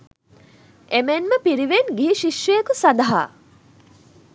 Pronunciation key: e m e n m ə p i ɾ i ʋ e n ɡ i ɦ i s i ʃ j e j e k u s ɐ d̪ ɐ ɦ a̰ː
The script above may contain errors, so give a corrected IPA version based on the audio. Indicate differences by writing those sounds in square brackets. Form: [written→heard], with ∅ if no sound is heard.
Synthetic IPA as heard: e m e n m ə p i ɾ i ʋ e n ɡ i ɦ i [s→ʃ] i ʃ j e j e k u s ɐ d̪ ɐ ɦ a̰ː